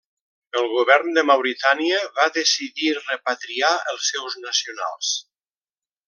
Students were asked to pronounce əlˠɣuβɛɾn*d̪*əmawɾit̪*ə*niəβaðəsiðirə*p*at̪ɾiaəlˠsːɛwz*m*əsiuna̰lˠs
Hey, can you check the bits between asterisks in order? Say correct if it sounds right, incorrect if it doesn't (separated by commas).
correct, incorrect, correct, incorrect